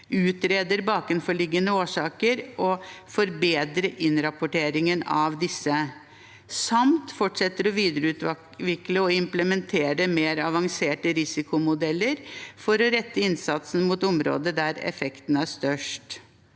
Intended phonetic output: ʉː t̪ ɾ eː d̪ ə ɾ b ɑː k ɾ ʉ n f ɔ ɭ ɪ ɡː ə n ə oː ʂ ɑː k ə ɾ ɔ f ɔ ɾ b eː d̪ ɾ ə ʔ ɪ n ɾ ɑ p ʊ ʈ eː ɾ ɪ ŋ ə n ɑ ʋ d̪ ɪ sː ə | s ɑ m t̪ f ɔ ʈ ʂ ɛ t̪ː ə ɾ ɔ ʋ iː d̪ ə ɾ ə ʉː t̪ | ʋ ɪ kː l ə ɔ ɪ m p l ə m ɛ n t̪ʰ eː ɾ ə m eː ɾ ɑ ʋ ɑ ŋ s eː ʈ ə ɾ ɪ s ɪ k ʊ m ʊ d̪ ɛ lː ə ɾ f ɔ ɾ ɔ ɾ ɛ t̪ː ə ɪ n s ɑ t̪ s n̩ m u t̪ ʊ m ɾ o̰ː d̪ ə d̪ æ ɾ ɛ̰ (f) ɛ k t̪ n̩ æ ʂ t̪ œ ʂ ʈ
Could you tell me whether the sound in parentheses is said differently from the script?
no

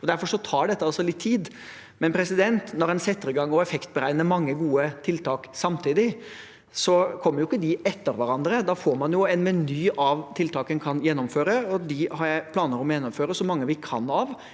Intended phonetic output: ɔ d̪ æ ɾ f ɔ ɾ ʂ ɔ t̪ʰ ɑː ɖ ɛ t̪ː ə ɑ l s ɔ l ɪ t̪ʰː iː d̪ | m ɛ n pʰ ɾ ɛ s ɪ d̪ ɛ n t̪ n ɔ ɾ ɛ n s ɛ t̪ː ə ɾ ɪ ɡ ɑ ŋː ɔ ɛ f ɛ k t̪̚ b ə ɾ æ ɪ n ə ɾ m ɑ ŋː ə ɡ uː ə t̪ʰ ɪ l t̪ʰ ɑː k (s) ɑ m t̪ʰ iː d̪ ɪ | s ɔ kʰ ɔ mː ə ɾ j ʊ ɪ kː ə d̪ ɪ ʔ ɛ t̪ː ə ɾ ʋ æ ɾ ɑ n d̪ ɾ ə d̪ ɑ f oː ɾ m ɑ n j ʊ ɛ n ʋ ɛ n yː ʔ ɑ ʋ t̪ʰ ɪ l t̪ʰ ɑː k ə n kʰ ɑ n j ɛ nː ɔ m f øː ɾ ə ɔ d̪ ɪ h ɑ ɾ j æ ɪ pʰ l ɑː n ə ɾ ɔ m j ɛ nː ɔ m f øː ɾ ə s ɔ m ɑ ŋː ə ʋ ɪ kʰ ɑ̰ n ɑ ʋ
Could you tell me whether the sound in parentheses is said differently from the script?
no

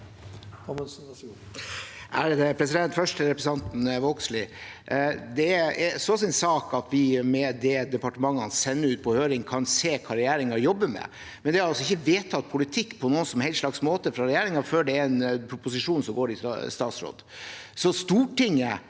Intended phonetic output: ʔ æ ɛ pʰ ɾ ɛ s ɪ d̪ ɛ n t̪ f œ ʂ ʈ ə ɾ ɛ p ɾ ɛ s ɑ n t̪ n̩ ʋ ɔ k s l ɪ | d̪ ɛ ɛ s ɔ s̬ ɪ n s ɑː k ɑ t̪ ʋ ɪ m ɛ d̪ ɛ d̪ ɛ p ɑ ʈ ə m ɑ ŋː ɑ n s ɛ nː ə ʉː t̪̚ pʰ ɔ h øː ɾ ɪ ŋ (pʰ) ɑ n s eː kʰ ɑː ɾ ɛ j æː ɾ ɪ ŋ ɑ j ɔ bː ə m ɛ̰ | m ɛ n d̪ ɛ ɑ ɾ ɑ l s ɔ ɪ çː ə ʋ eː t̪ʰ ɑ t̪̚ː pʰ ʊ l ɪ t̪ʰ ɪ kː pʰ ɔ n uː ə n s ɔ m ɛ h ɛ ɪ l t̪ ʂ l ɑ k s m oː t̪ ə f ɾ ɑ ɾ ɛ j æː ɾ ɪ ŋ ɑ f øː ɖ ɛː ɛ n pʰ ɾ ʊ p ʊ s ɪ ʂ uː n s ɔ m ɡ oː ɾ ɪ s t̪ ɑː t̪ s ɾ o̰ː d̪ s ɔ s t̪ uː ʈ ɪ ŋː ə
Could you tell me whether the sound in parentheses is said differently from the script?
yes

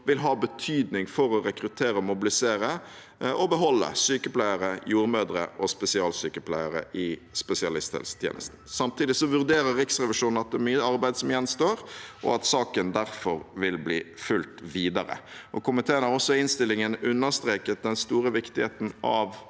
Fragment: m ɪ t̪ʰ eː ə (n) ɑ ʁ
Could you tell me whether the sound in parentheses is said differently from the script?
no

